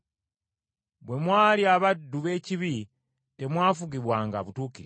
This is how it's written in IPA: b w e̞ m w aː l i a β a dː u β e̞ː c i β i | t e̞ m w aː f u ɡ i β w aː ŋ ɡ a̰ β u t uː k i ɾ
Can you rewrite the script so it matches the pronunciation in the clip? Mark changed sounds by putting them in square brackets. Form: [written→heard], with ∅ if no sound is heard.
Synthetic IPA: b w e̞ m w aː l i a β a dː u β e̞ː c i β i | t e̞ m w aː f u ɡ i β w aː ŋ ɡ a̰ β u t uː k i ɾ

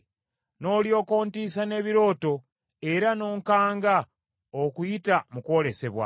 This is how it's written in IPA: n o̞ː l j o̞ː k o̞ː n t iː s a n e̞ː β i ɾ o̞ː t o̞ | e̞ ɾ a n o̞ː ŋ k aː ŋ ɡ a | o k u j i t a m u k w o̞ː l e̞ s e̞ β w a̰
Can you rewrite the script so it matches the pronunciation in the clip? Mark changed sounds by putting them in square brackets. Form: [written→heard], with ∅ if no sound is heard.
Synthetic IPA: n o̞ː l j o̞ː k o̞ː n t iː s a n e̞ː β i ɾ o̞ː t o̞ | e̞ ɾ a n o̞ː ŋ k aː ŋ ɡ a | o k u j i t a m u k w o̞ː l e̞ s e̞ β w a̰

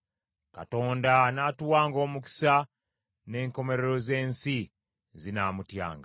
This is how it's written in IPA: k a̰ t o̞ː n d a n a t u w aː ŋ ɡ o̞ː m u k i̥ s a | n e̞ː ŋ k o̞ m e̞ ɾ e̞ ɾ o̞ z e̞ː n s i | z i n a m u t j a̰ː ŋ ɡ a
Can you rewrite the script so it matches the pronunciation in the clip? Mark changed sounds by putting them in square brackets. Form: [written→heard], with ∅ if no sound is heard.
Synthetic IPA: k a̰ t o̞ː n d a n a t u w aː ŋ ɡ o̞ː m u k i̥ s a | n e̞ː ŋ k o̞ m e̞ ɾ e̞ ɾ o̞ z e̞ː n s i | z i n a m u t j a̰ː ŋ ɡ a

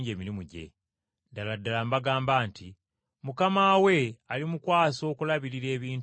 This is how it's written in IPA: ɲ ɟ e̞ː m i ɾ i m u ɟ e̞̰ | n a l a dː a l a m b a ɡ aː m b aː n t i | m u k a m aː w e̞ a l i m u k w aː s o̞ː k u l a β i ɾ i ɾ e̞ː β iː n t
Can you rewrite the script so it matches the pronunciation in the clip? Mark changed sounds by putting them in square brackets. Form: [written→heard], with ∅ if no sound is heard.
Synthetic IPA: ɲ ɟ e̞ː m i ɾ i m u ɟ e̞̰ | [n→d] a l a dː a l a m b a ɡ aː m b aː n t i | m u k a m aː w e̞ a l i m u k w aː s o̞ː k u l a β i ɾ i ɾ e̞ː β iː n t

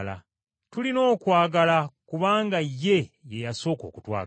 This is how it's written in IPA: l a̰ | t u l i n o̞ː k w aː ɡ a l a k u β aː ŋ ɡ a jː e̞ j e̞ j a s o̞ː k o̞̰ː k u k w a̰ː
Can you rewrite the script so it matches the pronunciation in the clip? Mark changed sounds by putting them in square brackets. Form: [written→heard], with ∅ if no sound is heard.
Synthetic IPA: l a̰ | t u l i n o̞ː k w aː ɡ a l a k u β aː ŋ ɡ a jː e̞ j e̞ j a s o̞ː k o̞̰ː k u [k→t] w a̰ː

